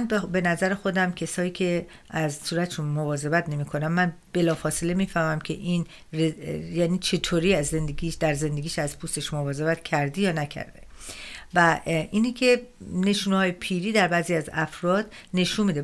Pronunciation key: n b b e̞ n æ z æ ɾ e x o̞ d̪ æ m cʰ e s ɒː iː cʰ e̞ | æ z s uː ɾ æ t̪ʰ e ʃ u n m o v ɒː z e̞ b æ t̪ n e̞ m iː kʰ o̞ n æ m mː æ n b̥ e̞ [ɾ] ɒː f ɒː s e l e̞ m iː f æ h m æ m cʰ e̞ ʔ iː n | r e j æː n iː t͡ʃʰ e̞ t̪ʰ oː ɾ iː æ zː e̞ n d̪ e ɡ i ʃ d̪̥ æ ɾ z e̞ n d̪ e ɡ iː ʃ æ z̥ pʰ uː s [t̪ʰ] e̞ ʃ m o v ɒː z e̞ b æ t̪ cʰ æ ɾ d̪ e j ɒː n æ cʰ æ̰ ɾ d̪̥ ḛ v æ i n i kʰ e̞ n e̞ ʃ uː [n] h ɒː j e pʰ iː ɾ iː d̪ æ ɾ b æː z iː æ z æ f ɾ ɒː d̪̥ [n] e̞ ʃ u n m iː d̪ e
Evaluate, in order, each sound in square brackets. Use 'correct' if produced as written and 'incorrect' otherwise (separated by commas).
incorrect, incorrect, correct, correct